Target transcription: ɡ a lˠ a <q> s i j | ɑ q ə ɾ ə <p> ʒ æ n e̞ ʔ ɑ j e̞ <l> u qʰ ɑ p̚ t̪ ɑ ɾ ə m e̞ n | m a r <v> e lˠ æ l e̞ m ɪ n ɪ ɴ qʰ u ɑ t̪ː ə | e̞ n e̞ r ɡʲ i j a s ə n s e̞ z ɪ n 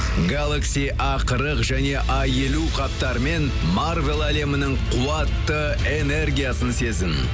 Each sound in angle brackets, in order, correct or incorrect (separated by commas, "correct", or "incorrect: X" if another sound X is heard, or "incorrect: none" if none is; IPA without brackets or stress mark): incorrect: k, incorrect: q, correct, correct